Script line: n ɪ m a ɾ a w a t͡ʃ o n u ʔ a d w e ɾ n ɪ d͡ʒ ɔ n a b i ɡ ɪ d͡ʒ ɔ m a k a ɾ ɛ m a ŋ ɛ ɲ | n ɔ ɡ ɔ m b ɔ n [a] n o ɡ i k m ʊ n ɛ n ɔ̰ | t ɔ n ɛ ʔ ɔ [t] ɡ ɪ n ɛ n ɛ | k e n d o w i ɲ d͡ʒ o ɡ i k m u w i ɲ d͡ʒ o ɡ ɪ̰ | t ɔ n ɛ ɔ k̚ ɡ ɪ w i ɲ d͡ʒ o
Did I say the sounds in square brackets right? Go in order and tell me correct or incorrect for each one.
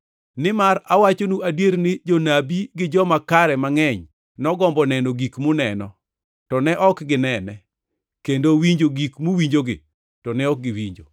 incorrect, incorrect

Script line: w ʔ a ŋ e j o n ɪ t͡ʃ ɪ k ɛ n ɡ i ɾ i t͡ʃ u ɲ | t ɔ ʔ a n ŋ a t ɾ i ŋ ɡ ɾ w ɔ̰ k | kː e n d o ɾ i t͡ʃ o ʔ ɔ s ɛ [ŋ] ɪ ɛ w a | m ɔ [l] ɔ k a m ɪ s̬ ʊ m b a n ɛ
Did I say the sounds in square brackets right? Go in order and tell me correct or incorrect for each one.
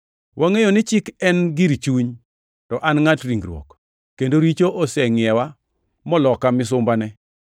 correct, correct

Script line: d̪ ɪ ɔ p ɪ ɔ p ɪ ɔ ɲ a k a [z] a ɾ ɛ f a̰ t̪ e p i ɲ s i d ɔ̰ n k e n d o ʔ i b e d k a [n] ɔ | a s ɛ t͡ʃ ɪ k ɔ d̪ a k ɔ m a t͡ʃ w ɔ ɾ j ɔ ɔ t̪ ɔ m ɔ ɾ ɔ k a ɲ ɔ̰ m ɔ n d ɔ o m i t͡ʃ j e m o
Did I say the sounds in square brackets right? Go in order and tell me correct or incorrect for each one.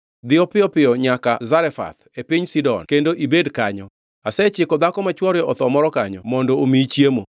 correct, incorrect

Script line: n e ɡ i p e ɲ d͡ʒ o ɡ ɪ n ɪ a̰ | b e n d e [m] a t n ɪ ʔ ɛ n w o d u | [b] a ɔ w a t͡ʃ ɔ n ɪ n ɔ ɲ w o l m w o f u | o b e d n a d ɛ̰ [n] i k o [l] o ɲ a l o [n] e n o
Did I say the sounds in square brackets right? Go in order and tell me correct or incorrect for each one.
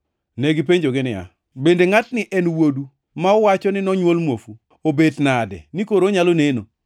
incorrect, incorrect, correct, incorrect, correct

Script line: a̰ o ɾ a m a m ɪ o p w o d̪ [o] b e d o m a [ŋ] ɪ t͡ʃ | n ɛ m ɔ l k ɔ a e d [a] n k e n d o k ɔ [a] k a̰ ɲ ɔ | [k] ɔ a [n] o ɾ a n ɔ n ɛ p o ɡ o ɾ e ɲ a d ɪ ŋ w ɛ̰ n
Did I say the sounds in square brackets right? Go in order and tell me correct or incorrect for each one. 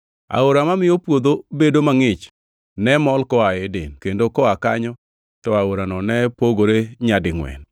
correct, correct, incorrect, correct, incorrect, incorrect

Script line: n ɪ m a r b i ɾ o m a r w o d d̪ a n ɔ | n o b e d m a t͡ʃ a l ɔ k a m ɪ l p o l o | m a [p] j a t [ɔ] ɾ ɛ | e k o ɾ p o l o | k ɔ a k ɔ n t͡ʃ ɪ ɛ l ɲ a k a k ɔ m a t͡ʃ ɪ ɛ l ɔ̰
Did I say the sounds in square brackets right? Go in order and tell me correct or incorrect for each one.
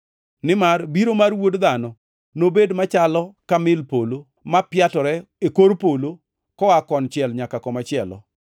correct, correct

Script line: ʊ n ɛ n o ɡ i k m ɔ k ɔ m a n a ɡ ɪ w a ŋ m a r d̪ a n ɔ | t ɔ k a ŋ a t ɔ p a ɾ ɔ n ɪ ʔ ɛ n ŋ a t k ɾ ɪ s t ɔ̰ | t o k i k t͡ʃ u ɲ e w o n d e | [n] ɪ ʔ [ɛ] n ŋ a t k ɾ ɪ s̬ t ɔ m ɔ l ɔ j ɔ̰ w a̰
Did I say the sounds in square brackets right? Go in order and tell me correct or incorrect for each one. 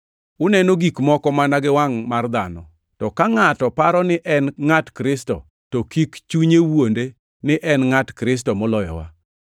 correct, correct

